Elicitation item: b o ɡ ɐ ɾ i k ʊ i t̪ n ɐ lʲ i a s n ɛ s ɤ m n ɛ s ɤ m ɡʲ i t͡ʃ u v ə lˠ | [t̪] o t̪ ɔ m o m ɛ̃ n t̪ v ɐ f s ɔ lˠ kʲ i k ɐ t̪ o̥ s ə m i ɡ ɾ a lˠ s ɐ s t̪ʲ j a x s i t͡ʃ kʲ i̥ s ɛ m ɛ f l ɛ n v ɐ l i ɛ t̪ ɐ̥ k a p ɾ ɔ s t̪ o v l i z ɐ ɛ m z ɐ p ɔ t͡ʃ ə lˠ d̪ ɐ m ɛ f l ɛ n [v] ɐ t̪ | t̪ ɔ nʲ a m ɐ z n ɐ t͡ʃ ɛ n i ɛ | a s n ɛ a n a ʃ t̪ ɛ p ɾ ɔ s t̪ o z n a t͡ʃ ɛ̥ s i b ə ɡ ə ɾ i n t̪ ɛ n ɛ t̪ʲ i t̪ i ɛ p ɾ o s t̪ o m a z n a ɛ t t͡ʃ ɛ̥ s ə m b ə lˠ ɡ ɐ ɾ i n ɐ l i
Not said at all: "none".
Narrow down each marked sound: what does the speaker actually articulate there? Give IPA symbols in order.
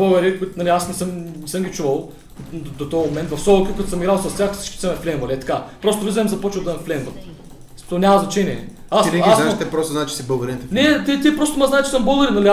d̪, v

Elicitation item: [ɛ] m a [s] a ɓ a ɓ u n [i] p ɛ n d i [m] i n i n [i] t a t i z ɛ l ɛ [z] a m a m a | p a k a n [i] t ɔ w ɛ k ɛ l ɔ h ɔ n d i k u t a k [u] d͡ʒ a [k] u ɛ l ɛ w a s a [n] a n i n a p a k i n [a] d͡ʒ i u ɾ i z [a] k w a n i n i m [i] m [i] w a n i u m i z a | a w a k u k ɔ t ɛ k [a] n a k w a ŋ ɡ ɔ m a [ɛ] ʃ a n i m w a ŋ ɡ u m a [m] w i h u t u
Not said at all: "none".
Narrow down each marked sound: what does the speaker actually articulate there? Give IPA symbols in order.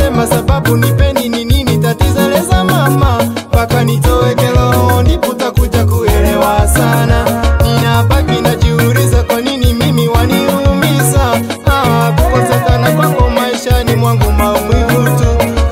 ɛ, s, i, n, i, z, i, u, k, n, a, a, i, i, a, i, m

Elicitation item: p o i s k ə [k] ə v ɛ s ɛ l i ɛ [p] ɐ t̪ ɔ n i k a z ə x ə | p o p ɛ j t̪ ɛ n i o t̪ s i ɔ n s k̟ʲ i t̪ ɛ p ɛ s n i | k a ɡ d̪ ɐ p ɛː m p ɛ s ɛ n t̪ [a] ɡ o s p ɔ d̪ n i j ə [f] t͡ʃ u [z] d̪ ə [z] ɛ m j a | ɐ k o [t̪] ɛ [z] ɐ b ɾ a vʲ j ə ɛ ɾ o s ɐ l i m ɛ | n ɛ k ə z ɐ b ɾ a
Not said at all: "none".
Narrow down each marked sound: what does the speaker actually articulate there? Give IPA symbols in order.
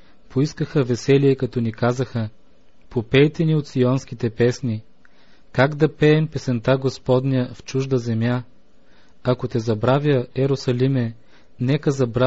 x, k, a, f, ʒ, z, t̪, z

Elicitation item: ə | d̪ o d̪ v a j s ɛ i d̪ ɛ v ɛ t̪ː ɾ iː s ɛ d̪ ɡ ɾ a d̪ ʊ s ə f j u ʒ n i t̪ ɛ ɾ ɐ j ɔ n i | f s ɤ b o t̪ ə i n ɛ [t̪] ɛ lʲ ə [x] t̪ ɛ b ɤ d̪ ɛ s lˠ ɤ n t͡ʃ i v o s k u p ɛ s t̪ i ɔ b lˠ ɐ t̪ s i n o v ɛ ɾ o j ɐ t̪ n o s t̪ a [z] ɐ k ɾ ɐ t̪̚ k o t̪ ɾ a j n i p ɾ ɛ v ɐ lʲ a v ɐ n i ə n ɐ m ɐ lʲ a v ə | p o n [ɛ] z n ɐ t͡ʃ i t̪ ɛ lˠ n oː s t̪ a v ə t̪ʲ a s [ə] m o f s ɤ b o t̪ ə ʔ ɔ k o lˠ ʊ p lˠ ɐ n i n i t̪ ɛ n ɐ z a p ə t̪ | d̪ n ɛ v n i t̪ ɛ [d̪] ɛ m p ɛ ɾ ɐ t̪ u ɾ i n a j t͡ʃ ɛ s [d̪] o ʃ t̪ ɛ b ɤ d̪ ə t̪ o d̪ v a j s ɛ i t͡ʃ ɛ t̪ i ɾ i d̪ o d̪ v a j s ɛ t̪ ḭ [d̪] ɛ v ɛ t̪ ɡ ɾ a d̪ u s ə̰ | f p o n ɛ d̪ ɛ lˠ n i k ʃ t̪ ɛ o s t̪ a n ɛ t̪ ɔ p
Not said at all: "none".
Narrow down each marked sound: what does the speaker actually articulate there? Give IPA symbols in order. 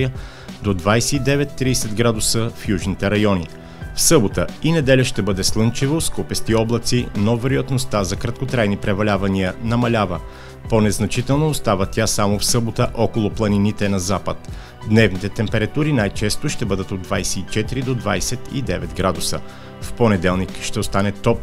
d̪, ʃ, z, ɛ, a, t̪, t̪, d̪

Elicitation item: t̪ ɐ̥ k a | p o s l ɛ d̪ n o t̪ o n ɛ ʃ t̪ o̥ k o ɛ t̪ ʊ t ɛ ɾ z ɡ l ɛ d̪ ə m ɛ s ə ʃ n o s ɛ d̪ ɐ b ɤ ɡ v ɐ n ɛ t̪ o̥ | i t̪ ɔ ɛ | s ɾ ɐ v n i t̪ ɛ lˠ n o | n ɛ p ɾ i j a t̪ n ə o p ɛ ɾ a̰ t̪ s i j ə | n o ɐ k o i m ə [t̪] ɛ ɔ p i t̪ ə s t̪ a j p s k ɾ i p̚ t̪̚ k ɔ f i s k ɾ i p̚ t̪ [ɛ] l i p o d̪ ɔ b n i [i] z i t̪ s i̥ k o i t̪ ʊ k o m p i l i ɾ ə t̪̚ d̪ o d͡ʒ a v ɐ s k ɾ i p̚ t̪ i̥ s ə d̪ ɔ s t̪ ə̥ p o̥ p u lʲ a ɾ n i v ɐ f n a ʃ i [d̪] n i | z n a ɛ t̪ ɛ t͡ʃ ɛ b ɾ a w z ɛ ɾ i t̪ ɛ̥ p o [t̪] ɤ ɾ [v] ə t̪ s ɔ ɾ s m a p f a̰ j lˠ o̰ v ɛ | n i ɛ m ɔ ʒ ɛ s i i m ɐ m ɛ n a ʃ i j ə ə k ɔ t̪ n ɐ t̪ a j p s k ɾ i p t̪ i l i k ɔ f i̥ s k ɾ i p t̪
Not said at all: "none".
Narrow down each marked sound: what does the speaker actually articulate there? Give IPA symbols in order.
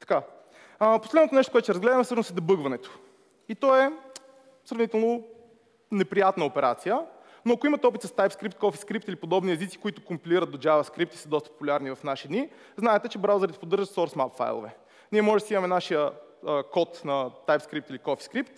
t̪, i, ɛ, d̪, d̪, ʒ

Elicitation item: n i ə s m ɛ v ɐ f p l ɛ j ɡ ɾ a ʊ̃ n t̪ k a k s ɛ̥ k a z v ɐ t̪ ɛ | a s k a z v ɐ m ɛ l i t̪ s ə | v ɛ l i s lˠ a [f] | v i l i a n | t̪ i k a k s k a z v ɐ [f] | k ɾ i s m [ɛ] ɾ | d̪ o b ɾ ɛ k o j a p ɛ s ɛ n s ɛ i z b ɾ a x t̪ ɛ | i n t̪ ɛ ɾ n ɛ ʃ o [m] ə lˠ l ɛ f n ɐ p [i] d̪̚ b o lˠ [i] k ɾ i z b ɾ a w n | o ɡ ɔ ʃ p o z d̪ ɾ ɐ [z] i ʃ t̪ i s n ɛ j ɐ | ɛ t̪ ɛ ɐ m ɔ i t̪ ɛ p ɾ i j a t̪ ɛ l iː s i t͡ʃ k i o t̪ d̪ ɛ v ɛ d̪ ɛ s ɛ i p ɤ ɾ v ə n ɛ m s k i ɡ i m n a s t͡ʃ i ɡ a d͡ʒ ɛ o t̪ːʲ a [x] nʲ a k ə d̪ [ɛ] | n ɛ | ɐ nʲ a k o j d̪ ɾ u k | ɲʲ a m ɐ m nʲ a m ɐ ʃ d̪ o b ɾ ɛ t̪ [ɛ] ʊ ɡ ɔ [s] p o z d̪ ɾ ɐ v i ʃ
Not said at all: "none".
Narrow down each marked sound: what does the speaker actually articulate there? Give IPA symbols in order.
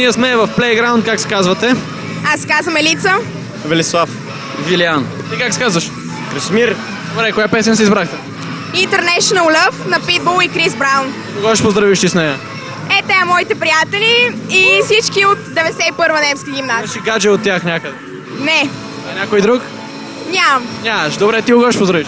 f, ʃ, i, n, i, i, v, x, ɛ, i, ʃ

